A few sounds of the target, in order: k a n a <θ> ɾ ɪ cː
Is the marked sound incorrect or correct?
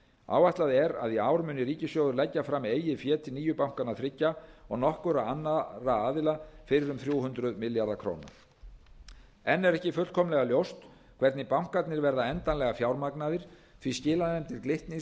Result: correct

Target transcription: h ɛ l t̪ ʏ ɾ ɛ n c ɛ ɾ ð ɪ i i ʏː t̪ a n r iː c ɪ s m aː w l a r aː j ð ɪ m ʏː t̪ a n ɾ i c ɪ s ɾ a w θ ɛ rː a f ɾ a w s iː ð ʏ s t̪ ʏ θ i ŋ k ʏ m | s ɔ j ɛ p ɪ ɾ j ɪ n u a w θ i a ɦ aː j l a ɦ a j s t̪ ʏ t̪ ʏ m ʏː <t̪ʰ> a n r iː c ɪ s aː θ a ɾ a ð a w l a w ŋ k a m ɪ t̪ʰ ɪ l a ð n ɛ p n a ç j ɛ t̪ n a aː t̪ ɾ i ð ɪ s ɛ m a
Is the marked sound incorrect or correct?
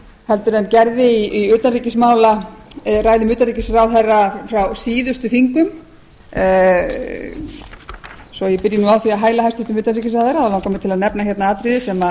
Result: incorrect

